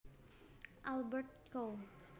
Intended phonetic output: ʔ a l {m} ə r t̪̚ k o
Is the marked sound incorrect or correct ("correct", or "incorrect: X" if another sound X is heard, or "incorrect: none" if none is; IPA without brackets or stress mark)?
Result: incorrect: b